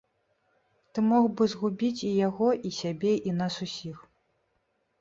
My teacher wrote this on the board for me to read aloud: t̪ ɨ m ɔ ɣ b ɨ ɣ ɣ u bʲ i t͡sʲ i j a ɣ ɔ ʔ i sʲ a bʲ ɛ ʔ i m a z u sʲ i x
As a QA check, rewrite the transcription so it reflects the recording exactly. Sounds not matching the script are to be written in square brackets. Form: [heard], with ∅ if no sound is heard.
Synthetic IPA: t̪ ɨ m ɔ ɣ b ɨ [z] ɣ u bʲ i t͡sʲ i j a ɣ ɔ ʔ i sʲ a bʲ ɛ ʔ i [n] a [s] u sʲ i x